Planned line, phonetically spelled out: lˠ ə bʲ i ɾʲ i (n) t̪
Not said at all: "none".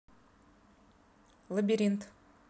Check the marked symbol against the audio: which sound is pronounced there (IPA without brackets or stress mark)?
n